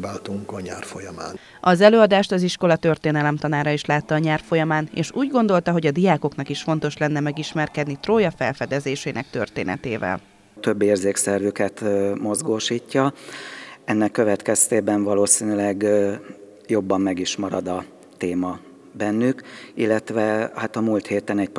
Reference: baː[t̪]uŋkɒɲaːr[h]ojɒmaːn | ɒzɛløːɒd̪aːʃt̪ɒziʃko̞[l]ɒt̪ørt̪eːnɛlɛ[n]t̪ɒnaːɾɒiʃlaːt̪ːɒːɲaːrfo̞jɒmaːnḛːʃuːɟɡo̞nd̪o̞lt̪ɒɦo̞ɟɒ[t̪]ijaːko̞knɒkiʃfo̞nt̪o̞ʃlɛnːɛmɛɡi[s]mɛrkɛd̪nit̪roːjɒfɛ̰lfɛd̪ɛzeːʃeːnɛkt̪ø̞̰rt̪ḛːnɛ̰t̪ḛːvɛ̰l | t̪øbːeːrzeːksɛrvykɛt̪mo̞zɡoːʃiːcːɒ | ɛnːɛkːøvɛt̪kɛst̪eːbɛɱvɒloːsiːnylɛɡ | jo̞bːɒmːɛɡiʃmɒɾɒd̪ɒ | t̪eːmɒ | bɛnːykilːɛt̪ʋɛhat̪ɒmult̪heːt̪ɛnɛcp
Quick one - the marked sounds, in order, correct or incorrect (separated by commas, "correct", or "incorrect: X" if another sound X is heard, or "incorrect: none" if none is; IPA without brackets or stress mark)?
correct, incorrect: f, correct, incorrect: m, incorrect: d̪, incorrect: ʃ